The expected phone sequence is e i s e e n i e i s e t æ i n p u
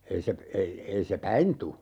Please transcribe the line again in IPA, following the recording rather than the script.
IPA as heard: e i s e e i e i s e p æ i n t u

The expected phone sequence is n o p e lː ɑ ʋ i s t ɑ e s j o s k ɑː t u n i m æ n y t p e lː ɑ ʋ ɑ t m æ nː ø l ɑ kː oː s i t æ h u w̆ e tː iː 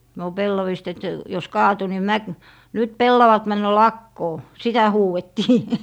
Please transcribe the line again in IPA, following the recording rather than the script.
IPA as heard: n o p e lː ɑ ʋ i s t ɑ e t j o s k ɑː t u n i m æ n y t p e lː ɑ ʋ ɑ t m æ nː ø l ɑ kː oː s i t æ h uː w̆ e tː iː

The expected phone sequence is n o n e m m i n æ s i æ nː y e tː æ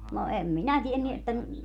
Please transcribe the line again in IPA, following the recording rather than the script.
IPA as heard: n o e m m i n æ t i e nː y e tː æ

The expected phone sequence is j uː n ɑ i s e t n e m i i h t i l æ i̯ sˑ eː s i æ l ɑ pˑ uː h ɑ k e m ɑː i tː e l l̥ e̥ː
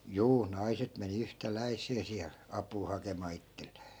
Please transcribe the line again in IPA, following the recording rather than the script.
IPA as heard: j uː n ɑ i s e t m e n i y h t æ l æ i̯ sˑ eː s i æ l ɑ pˑ uː h ɑ k e m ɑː i tː e l l̥ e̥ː

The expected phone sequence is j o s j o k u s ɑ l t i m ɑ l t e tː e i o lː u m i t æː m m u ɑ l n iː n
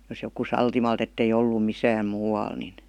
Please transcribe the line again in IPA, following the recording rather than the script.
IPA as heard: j o s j o k u s ɑ l t i m ɑ l t e tː e i o lː u m i s æː m m uː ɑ l n i n

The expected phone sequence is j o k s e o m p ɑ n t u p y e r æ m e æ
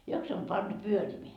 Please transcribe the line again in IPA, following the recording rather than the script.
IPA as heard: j o k s e o m p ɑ n t u p y ø r i m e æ

